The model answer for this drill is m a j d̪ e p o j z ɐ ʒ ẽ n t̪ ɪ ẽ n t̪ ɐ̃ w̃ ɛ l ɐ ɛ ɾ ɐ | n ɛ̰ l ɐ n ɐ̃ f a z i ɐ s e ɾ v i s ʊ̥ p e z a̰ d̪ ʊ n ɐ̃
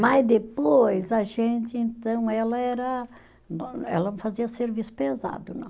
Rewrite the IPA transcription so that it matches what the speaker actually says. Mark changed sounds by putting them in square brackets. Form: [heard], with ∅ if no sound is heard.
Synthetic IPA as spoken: m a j d̪ e p o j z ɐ ʒ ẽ n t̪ ɪ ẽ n t̪ ɐ̃ w̃ ɛ l ɐ ɛ ɾ ɐ | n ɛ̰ l ɐ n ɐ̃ f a z i ɐ s e ɾ v i s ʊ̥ p e z a̰ d̪ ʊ n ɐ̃